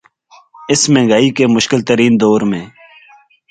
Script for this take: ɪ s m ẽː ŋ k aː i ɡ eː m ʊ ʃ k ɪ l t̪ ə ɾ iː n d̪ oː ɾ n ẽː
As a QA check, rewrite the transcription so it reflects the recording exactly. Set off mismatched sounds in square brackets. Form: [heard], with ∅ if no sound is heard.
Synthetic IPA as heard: ɪ s m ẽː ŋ [ɡ] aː i [k] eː m ʊ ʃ k ɪ l t̪ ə ɾ iː n d̪ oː ɾ [m] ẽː